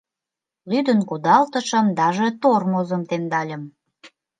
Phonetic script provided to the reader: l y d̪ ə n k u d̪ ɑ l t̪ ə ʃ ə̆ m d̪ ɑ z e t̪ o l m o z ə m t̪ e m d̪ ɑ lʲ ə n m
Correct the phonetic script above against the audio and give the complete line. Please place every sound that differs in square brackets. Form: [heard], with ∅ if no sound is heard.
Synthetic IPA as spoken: l y d̪ ə n k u d̪ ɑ l t̪ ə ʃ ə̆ m d̪ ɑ [ʒ] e t̪ o [r] m o z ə m t̪ e m d̪ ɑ lʲ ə [∅] m